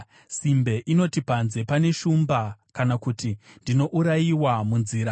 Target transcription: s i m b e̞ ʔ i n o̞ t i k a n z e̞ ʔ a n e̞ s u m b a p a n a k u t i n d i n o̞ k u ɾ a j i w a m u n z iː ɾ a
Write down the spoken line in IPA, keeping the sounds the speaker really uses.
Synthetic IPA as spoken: s i m b e̞ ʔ i n o̞ t i p a n z e̞ p a n e̞ ʃ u m b a k a n a k u t i n d i n o̞ ʔ u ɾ a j i w a m u n z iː ɾ a